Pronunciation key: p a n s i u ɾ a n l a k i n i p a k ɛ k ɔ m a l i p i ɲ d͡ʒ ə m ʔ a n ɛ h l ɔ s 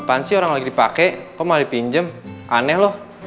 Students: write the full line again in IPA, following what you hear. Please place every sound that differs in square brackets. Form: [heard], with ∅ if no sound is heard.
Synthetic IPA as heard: p a n s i [o] ɾ a [ŋ] l a [ɡ] i [d] i p a k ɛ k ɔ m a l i p i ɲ d͡ʒ ə m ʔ a n ɛ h l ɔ [h]